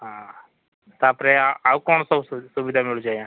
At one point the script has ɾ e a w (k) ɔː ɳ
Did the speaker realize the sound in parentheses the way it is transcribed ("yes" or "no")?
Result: yes